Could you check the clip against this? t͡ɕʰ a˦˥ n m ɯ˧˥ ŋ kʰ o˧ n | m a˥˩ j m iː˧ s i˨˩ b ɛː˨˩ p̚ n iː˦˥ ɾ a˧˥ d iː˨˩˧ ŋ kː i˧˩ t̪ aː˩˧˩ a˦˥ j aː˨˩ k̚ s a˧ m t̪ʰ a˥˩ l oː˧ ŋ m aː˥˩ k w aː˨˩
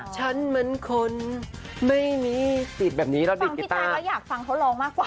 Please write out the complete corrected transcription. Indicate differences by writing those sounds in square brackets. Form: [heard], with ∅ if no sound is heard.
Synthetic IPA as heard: t͡ɕʰ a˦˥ n m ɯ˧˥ [n] kʰ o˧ n | m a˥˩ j m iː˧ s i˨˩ b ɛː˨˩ p̚ n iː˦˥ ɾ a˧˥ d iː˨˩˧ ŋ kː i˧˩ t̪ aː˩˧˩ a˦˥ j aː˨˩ k̚ [f] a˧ [ŋ] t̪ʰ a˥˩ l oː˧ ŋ m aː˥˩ k w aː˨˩